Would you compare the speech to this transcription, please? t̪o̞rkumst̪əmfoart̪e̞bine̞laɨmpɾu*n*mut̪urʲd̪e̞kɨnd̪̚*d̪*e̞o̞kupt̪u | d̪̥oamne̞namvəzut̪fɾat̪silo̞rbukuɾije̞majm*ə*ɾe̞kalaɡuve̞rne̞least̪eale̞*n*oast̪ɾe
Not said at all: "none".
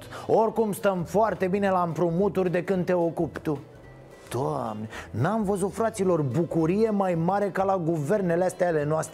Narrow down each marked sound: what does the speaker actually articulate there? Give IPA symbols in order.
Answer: none, t̪, a, n

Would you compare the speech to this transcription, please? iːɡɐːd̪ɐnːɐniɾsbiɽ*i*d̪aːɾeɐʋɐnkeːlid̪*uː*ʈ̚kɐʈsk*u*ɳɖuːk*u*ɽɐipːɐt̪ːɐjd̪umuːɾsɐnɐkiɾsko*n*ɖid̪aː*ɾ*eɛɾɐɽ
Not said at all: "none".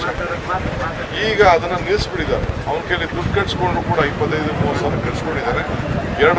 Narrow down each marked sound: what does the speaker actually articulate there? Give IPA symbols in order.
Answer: i, u, o, uː, ɳ, ɾ

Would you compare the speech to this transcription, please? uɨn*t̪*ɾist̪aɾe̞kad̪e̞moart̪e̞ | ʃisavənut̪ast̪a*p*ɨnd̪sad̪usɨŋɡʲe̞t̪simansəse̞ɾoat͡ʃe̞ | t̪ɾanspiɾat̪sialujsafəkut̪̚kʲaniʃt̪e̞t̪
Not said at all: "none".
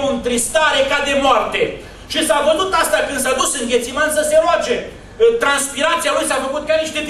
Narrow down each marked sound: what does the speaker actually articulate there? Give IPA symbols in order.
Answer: t̪, k

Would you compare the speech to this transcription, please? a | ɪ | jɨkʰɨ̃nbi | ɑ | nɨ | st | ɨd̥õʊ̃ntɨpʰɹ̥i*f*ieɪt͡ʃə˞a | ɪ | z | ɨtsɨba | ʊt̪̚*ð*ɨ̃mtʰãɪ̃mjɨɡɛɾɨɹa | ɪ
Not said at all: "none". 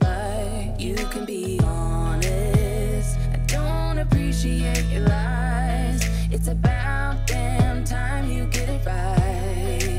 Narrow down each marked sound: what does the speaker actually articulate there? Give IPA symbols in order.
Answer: ʃ, ð

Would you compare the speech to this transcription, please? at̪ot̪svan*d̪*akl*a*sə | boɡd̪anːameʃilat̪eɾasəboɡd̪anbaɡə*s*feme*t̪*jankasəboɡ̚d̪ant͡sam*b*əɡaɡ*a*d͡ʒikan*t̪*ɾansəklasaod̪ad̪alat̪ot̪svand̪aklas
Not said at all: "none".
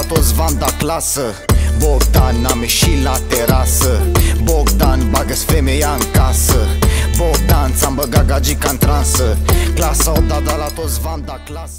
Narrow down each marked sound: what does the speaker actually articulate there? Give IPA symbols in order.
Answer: d̪, a, s, none, b, a, t̪

